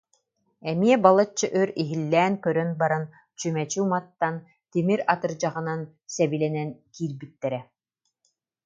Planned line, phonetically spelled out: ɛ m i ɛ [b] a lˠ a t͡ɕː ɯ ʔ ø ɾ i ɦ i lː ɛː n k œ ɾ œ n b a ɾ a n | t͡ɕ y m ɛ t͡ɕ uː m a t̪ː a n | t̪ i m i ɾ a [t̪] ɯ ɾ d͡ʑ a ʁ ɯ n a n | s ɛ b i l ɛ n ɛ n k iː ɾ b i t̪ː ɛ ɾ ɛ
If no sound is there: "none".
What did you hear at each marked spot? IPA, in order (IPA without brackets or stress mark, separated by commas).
b, t̪